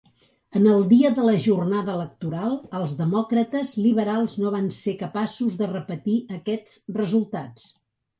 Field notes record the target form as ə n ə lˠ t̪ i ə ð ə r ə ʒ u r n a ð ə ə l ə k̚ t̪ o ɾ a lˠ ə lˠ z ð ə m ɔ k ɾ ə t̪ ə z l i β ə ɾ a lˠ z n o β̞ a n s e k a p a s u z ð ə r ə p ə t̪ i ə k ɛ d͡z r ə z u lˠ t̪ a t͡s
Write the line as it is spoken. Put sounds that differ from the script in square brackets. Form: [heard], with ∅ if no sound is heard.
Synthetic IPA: ə n ə lˠ [d̪] i ə ð ə [l] ə ʒ u r n a ð ə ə l ə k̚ t̪ [u] ɾ a lˠ ə lˠ z ð ə m ɔ k ɾ ə t̪ ə z l i β ə ɾ a lˠ z n o β̞ a n s e k [ə] p a s u z ð ə r ə p ə t̪ i ə k ɛ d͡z r ə z u lˠ t̪ a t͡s